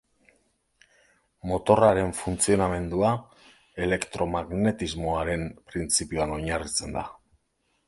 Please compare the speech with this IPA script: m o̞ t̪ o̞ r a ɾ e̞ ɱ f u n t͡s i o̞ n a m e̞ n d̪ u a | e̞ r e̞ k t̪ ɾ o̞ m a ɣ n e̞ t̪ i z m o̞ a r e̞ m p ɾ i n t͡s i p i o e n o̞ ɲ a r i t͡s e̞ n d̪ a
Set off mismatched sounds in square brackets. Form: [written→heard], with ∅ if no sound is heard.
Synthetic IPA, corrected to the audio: m o̞ t̪ o̞ r a ɾ e̞ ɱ f u n t͡s i o̞ n a m e̞ n d̪ u a | e̞ [r→l] e̞ k t̪ ɾ o̞ m a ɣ n e̞ t̪ i z m o̞ a [r→ɾ] e̞ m p ɾ i n t͡s i p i o [e→a] n o̞ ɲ a r i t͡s e̞ n d̪ a